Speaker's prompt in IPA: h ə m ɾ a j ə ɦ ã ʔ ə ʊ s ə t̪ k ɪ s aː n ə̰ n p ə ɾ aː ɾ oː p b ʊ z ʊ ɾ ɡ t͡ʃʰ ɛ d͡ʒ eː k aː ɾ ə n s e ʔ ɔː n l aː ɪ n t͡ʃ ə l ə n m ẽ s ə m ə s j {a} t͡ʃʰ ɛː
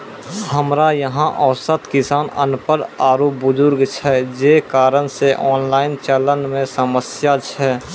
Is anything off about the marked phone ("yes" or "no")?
no